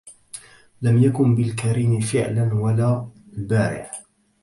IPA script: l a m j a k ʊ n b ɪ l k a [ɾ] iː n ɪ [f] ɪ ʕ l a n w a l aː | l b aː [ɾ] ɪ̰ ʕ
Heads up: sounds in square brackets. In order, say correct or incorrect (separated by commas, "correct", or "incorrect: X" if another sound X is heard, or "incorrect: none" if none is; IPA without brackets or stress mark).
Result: correct, correct, correct